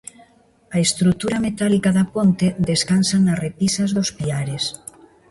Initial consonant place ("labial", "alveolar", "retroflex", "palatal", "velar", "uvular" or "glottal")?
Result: alveolar